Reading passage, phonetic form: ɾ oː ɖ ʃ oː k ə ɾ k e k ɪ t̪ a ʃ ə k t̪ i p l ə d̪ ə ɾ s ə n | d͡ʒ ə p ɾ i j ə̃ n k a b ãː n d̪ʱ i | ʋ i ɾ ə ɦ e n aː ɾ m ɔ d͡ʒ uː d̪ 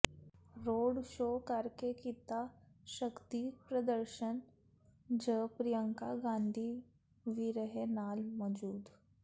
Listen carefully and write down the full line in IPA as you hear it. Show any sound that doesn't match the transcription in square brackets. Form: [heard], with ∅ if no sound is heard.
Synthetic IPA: ɾ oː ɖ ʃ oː k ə ɾ k e k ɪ t̪ a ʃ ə k t̪ i p [ɾ] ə d̪ ə ɾ [ʃ] ə n | d͡ʒ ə p ɾ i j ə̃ [ŋ] k a [ɡ] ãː n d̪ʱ i | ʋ i ɾ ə ɦ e n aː [l] m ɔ d͡ʒ uː d̪